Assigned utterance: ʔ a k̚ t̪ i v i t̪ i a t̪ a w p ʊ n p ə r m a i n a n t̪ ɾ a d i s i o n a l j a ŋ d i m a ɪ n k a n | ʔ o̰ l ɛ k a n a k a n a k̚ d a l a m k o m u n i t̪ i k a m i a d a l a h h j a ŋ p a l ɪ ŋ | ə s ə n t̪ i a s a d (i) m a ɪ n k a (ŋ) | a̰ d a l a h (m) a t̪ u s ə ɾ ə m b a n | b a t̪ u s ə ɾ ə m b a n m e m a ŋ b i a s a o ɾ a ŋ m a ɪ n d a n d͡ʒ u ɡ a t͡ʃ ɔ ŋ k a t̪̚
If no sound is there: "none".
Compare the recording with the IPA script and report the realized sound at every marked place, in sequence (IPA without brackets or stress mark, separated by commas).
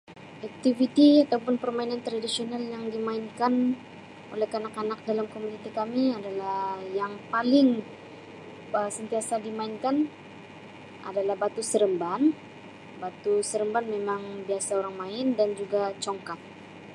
i, n, b